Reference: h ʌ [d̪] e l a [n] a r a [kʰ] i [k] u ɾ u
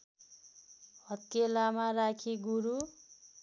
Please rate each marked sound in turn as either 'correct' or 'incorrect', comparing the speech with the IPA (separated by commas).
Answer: incorrect, incorrect, correct, incorrect